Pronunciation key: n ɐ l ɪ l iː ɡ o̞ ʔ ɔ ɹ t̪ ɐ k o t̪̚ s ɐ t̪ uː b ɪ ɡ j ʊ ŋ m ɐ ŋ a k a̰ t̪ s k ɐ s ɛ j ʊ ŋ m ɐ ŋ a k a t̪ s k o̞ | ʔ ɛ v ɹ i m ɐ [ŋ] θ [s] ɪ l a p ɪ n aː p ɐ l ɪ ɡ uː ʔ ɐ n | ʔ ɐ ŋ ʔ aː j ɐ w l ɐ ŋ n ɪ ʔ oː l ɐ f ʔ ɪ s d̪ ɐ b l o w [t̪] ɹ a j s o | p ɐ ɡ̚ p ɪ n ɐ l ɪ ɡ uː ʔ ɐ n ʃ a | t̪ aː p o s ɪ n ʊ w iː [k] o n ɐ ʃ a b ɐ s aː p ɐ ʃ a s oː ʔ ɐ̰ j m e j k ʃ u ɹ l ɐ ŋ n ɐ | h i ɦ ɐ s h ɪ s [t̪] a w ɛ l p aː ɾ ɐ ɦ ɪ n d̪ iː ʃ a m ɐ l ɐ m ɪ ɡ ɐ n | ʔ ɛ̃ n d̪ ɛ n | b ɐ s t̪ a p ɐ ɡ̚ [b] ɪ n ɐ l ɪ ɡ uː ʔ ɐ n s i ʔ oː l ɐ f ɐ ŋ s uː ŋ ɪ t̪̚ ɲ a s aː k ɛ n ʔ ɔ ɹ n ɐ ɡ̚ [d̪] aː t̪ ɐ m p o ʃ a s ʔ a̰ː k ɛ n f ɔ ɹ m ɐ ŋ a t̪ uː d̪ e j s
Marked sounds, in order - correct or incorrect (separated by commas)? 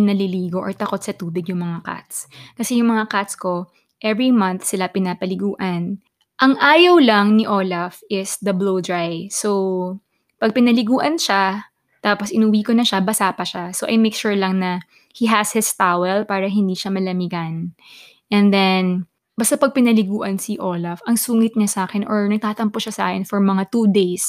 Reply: incorrect, correct, incorrect, correct, correct, incorrect, incorrect